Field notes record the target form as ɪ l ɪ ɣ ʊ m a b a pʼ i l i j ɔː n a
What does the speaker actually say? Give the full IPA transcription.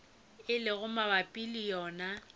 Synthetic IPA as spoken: ɪ l ɪ ɣ ʊ m a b a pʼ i l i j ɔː n a

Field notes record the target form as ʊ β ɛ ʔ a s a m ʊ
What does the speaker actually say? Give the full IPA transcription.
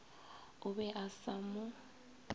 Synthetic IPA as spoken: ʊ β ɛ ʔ a s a m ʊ

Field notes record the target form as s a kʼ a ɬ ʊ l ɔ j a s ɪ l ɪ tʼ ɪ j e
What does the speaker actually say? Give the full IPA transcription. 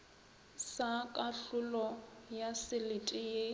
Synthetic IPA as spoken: s a kʼ a ɬ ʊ l ɔ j a s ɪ l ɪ tʼ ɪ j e

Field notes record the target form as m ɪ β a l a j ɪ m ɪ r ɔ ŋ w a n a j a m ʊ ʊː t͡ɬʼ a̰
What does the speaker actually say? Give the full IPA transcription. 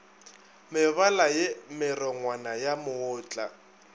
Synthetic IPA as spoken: m ɪ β a l a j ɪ m ɪ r ɔ ŋ w a n a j a m ʊ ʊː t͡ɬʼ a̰

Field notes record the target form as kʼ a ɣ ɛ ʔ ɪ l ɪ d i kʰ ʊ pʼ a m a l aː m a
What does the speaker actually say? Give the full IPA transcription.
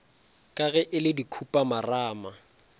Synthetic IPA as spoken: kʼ a ɣ ɛ ʔ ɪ l ɪ d i kʰ u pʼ a m a r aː m a

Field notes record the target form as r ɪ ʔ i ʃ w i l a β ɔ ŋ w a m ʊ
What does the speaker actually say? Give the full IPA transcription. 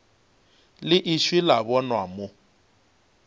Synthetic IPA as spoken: l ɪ ʔ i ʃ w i l a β ɔ n w a m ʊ

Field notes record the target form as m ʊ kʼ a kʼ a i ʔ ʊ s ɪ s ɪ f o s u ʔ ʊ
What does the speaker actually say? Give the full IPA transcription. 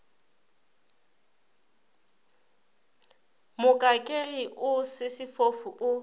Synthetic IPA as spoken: m ʊ kʼ a kʼ e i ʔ ʊ s ɪ s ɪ f o f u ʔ ʊ

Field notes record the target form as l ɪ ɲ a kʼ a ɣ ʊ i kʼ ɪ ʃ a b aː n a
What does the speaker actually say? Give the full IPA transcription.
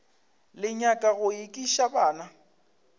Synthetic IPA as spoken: l ɪ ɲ a kʼ a ɣ ʊ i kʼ i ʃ a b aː n a

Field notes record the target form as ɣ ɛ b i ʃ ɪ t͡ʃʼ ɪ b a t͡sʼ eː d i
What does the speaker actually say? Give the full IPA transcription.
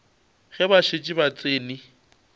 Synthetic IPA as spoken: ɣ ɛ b a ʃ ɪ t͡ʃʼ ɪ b a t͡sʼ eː n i

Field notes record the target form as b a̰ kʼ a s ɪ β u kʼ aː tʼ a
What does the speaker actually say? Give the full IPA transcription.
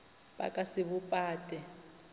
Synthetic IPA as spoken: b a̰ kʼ a s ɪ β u pʼ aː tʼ ɛ

